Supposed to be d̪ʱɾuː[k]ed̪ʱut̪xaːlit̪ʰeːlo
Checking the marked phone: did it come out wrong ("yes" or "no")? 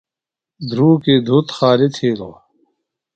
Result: no